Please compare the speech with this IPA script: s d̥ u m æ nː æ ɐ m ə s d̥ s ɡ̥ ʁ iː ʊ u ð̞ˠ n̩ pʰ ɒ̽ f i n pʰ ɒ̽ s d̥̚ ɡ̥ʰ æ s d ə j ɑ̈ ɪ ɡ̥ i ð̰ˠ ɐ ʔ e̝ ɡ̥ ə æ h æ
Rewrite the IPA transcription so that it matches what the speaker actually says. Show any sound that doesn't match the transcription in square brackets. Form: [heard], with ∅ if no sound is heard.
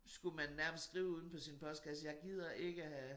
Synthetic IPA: s [ɡ̥] u m æ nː æ ɐ m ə s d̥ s ɡ̥ ʁ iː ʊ u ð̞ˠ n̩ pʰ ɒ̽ [s] i n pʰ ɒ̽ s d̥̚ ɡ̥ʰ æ s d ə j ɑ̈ ɪ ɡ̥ i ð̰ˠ ɐ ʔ e̝ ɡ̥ ə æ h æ